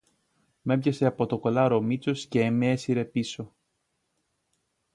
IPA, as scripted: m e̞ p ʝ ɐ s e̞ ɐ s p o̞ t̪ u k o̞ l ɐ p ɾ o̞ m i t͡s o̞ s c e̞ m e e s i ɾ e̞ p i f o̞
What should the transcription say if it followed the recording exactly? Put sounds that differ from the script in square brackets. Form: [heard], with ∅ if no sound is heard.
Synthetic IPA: m e̞ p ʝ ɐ s e̞ ɐ [∅] p o̞ t̪ [o] k o̞ l ɐ [∅] ɾ o̞ m i t͡s o̞ s c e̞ m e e s i ɾ e̞ p i [s] o̞